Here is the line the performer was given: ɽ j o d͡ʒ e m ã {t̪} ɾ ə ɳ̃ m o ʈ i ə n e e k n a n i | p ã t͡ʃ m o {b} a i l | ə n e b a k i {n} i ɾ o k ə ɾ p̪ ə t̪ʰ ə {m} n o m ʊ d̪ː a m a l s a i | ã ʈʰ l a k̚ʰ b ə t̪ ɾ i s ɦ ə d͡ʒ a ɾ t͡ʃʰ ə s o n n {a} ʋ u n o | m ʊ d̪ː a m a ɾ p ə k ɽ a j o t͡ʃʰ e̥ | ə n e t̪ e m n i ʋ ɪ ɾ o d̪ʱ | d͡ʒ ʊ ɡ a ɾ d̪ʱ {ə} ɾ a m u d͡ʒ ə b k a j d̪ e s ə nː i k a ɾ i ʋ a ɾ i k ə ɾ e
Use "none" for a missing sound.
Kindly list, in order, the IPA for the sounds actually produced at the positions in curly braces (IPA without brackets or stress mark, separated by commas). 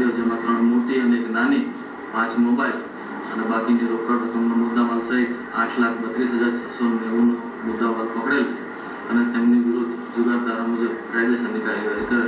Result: t̪, b, n, m, e, a